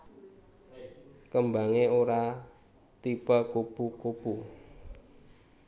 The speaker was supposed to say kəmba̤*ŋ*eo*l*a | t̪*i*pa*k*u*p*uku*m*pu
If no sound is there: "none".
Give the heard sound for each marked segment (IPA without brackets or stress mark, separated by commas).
ŋ, ɾ, i, k, p, none